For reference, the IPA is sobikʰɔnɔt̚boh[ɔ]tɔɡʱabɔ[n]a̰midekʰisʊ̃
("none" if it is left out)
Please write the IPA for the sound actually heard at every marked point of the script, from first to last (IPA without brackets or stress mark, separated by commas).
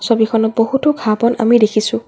u, n